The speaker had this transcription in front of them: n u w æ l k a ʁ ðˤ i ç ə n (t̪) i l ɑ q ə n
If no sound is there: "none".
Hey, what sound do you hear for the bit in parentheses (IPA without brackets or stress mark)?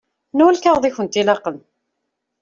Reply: t̪